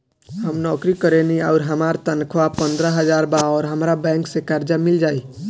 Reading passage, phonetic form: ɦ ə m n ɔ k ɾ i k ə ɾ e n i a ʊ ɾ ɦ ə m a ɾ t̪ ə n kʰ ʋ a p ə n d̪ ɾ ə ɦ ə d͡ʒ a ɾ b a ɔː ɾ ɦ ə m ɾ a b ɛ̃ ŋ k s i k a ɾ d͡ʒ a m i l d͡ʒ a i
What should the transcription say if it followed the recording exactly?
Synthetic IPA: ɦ ə m n ɔ k ɾ i k ə ɾ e n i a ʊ ɾ ɦ ə m a ɾ t̪ ə n kʰ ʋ a p ə n d̪ ɾ ə ɦ ə d͡ʒ a ɾ b a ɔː ɾ ɦ ə m ɾ a b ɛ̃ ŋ k s e k a ɾ d͡ʒ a m i l d͡ʒ a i